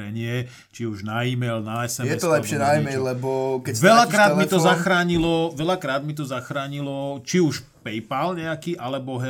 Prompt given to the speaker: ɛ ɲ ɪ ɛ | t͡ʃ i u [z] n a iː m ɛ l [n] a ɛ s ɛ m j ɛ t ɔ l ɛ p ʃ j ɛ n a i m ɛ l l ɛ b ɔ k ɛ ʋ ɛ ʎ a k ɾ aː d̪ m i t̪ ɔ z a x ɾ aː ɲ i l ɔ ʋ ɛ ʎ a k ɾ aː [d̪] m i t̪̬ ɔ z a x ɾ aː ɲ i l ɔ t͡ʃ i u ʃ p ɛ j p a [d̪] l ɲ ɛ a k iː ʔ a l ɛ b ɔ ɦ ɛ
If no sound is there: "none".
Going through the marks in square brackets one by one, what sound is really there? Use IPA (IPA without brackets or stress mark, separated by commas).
ʒ, n, d̪, none